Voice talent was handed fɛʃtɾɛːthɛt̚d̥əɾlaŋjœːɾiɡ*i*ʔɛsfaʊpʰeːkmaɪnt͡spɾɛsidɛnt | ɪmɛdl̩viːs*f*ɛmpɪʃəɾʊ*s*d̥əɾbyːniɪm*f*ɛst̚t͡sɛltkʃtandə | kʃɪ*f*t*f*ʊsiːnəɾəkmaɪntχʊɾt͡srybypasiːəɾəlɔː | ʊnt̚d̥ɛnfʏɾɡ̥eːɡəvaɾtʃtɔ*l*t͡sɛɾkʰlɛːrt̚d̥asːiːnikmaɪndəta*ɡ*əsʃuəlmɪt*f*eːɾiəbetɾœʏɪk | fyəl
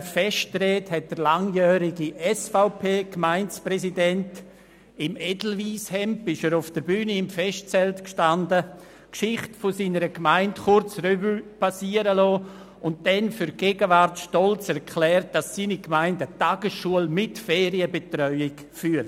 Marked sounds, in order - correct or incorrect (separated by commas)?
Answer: correct, incorrect, incorrect, correct, incorrect, correct, correct, correct, correct